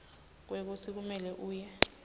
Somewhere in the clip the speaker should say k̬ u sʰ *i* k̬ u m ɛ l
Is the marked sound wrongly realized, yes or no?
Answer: no